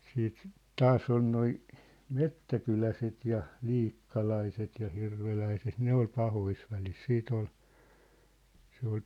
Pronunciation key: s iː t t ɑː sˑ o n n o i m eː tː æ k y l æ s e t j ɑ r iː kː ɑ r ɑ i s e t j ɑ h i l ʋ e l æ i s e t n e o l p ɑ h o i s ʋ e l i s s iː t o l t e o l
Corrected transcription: s iː t t ɑː sˑ o n n o i m e tː æ k y l æ s e t j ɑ l iː kː ɑ l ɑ i s e t j ɑ h i r ʋ e l æ i s e t n e o l p ɑ h o i s ʋ æ l i s s iː t o l s e o l